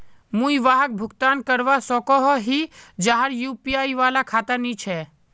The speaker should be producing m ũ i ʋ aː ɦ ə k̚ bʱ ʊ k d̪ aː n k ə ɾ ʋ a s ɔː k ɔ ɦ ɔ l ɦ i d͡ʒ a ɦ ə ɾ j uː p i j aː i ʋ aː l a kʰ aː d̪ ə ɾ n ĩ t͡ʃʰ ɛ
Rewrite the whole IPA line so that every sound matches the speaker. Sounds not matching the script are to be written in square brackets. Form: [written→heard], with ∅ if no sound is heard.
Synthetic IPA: m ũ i ʋ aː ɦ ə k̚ bʱ ʊ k [d̪→t̪] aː n k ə ɾ ʋ a s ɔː k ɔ ɦ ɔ [l→∅] ɦ i d͡ʒ a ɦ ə ɾ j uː p i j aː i ʋ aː l a kʰ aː [d̪→t̪] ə ɾ n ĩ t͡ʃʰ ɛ